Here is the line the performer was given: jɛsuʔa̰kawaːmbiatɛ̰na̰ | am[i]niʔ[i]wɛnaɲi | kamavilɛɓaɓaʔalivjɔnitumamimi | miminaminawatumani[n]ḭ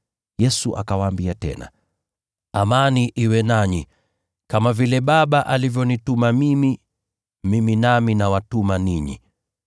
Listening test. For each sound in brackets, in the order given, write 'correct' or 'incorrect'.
incorrect, correct, incorrect

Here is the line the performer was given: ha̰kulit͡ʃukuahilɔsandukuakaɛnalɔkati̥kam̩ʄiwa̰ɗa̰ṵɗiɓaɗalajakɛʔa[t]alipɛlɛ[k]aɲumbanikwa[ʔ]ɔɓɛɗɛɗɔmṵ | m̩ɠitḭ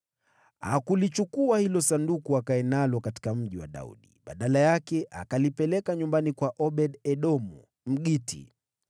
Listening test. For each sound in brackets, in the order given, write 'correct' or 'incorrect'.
incorrect, correct, correct

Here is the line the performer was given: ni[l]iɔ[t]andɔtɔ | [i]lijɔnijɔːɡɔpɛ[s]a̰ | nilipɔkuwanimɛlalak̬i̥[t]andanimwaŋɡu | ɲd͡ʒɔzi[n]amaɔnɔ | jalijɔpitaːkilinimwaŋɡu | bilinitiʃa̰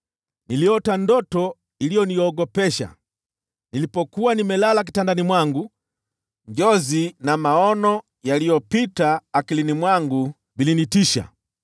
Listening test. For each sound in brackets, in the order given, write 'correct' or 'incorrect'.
correct, correct, correct, incorrect, correct, correct

